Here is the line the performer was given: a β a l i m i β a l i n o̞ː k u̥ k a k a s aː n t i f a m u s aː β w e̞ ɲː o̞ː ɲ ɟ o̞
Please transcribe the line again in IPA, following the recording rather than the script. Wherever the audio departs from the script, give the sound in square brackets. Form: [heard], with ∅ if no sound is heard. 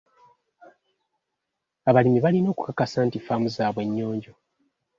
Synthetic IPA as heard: a β a l i m i β a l i n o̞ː k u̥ k a k a s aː n t i f a m u [z] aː β w e̞ ɲː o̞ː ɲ ɟ o̞